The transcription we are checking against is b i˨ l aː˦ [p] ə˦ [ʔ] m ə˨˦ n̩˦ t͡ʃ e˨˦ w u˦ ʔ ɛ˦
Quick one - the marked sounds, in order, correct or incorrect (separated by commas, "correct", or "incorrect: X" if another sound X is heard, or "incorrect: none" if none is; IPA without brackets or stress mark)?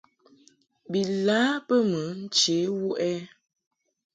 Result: correct, incorrect: none